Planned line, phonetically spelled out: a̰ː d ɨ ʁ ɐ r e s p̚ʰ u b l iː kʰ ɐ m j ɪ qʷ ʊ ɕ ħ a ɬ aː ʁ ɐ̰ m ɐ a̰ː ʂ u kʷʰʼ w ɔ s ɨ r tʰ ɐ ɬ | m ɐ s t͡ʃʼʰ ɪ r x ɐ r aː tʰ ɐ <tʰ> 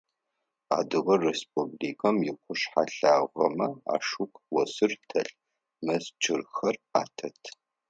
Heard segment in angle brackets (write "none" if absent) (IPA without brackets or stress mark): tʰ